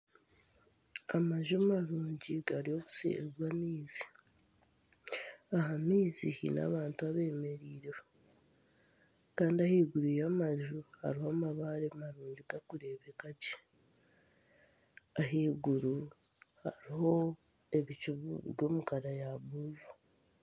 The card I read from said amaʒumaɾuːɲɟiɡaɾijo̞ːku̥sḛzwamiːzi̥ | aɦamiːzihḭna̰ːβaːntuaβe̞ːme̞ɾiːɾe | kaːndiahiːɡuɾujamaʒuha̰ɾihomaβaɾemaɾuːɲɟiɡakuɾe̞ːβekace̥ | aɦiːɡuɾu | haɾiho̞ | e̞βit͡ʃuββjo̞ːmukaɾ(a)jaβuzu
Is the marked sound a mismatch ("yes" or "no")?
no